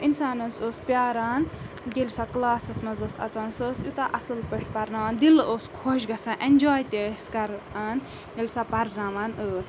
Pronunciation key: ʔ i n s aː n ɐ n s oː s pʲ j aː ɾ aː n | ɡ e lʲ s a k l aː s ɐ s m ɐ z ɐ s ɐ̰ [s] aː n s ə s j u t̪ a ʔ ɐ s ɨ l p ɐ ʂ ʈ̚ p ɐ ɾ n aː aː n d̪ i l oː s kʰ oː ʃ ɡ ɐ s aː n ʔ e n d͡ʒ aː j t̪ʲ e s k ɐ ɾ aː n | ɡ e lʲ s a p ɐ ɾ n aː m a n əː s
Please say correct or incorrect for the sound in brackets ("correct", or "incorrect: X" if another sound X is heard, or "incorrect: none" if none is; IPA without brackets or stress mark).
incorrect: t͡s